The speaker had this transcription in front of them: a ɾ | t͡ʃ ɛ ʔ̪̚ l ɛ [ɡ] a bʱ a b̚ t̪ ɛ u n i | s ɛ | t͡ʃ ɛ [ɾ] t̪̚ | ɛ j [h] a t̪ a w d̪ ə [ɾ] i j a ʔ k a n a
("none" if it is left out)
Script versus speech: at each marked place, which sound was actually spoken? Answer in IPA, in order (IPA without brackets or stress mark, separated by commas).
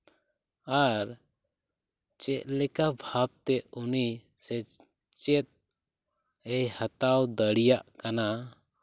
k, none, h, ɽ